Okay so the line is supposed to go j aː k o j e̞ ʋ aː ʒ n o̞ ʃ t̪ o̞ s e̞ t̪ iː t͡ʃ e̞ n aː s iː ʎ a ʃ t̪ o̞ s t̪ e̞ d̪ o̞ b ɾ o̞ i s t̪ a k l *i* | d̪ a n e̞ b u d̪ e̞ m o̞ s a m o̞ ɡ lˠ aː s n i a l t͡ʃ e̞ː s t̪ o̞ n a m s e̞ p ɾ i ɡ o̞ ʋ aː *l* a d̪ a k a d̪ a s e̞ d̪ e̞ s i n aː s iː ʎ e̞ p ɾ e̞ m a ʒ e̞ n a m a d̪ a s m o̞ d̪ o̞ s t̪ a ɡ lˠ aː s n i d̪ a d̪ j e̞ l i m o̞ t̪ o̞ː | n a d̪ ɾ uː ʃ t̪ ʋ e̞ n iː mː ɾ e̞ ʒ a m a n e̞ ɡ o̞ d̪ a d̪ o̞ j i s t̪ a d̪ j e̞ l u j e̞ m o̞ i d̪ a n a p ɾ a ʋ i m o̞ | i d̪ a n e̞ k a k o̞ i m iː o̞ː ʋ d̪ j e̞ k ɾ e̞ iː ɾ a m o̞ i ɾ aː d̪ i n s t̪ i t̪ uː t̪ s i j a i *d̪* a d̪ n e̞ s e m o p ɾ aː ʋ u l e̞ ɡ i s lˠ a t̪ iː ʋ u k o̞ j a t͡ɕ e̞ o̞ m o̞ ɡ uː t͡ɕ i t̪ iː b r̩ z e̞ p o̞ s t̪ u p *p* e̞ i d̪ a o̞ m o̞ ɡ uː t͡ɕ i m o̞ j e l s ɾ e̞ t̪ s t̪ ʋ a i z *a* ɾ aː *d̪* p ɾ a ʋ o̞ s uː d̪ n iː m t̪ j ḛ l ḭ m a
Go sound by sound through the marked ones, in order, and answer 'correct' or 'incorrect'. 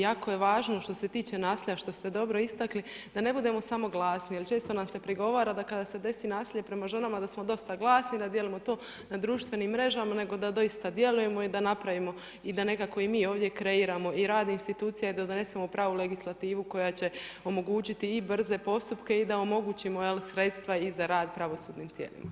correct, incorrect: ɾ, correct, incorrect: k, correct, correct

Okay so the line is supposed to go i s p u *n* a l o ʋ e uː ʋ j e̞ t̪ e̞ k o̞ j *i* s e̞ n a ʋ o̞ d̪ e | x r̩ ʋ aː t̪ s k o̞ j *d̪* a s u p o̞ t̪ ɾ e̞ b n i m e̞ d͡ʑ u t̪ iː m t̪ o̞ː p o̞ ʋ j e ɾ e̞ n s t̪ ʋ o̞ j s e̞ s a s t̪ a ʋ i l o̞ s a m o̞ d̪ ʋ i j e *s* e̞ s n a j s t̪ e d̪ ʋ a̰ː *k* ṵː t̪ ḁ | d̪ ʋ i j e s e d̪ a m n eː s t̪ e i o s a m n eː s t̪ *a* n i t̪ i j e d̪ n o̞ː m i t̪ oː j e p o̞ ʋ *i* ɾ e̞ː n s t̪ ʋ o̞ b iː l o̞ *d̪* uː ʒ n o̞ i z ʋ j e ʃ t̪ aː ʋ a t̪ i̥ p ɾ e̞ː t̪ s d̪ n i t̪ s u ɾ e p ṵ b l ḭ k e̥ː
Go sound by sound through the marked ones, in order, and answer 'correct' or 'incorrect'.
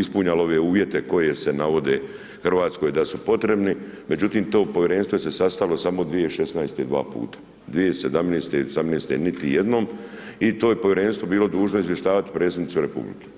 incorrect: ɲ, incorrect: e, correct, incorrect: ʃ, incorrect: p, incorrect: e, incorrect: j, correct

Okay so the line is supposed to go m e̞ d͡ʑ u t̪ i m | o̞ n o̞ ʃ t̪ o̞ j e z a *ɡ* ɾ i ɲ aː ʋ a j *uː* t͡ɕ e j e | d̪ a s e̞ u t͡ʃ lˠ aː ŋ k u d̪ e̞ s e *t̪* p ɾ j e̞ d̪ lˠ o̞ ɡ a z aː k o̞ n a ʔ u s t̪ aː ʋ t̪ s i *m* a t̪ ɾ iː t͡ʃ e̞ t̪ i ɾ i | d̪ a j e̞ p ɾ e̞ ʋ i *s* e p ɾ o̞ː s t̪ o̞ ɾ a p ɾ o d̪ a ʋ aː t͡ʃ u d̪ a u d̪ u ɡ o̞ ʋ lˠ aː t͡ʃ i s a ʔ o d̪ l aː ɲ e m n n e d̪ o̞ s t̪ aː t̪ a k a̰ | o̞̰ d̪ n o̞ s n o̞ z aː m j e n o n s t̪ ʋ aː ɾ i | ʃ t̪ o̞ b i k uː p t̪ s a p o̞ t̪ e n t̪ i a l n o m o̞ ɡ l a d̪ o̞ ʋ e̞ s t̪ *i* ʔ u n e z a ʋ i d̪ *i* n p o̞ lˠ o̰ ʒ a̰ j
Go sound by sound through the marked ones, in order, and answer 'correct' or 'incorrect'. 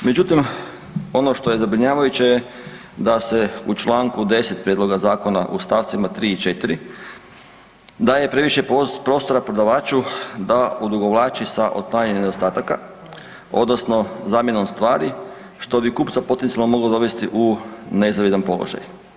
incorrect: b, incorrect: u, correct, correct, incorrect: ʃ, correct, incorrect: a

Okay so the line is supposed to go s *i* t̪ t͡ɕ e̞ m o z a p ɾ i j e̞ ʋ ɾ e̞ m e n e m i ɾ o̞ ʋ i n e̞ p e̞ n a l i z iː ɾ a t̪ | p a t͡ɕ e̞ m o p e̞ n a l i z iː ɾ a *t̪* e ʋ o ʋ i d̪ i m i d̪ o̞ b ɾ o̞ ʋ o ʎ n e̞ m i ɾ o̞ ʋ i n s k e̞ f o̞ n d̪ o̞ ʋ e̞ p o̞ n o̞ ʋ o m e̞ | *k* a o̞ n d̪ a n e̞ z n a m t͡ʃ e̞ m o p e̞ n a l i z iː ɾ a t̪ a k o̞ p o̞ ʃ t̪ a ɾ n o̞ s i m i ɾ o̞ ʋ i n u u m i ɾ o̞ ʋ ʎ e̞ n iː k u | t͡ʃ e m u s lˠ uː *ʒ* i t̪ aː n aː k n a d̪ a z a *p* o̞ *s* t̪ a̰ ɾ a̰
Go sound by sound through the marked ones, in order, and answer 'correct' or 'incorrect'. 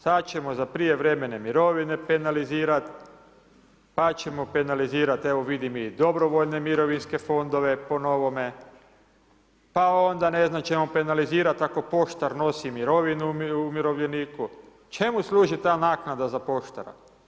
incorrect: a, correct, incorrect: p, correct, correct, incorrect: ʃ

